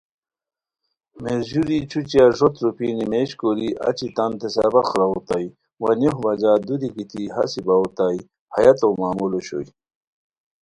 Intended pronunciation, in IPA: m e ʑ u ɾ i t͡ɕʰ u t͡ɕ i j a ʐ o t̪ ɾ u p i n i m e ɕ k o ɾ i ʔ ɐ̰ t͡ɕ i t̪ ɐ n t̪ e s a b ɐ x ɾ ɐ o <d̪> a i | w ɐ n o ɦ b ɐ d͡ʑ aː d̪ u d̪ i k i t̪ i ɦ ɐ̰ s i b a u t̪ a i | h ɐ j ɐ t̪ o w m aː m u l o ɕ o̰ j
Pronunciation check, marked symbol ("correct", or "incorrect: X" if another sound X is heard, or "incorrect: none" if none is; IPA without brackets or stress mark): incorrect: t̪